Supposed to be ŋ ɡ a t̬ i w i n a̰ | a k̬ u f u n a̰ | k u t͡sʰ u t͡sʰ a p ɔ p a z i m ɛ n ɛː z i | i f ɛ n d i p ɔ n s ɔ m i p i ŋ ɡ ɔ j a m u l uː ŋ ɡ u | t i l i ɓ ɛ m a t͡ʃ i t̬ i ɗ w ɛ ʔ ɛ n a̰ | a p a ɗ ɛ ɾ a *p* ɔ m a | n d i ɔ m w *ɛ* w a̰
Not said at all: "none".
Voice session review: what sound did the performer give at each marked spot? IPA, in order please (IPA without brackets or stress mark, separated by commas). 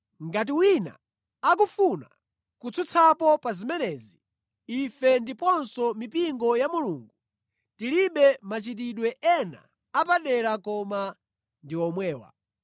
k, ɛː